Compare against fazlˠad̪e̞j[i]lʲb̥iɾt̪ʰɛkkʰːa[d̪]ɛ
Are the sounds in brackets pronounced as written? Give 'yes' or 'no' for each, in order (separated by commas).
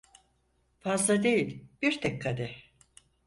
yes, yes